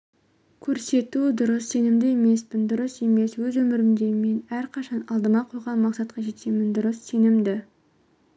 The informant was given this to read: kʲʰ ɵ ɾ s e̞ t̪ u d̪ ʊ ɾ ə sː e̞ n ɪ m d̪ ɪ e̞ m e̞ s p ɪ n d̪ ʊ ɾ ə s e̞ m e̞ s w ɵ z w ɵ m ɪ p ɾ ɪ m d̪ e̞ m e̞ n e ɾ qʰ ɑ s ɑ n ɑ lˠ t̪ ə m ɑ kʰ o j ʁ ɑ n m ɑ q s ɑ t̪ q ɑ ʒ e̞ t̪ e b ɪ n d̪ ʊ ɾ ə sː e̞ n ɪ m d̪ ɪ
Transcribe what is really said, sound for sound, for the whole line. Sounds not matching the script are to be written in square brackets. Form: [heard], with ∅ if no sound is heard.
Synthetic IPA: kʲʰ ɵ ɾ s e̞ t̪ u d̪ ʊ ɾ ə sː e̞ n ɪ m d̪ ɪ e̞ m e̞ s p ɪ n d̪ ʊ ɾ ə s e̞ m e̞ s w ɵ z w ɵ m ɪ [∅] ɾ ɪ m d̪ e̞ m e̞ n [æ] ɾ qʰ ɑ [ʃ] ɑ n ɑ lˠ [d̪] ə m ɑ [qʰ] o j ʁ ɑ n m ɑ q s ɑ t̪ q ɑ ʒ e̞ t̪ e [m] ɪ n d̪ ʊ ɾ ə sː e̞ n ɪ m d̪ ɪ